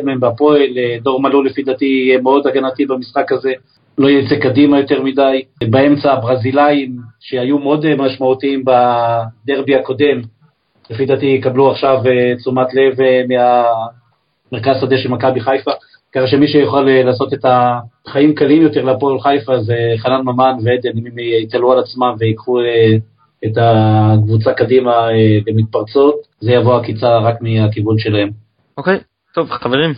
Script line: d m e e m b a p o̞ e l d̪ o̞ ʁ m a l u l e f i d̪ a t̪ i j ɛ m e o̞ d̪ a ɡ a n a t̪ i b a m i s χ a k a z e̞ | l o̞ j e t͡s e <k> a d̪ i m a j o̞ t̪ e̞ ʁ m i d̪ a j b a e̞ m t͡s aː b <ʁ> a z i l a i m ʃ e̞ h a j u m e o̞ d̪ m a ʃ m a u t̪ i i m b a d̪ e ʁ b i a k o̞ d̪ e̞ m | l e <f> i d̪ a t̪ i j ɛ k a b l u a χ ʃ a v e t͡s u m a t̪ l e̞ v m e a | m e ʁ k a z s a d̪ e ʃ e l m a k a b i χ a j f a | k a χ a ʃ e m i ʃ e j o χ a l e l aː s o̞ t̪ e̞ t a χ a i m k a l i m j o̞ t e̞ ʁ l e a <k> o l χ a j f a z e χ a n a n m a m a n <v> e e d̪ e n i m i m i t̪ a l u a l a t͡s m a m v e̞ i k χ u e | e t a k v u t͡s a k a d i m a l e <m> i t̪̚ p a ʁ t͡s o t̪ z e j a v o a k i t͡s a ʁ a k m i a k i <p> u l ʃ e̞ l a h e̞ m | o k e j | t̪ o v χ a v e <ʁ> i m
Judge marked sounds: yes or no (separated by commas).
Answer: yes, yes, yes, no, yes, yes, no, yes